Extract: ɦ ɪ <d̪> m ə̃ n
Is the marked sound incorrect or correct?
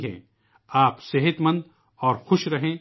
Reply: incorrect